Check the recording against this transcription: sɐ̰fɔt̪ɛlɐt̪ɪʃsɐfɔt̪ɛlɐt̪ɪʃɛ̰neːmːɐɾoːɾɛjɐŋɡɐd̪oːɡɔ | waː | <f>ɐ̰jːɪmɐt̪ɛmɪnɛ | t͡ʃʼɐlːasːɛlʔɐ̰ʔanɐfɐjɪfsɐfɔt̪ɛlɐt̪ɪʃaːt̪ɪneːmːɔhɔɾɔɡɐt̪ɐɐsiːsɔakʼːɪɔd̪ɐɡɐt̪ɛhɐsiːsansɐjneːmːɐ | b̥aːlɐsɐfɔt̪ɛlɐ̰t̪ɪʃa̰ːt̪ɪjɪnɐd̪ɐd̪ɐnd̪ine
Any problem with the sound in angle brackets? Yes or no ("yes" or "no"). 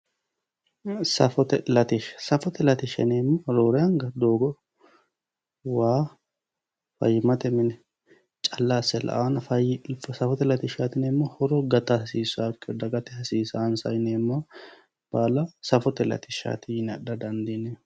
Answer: no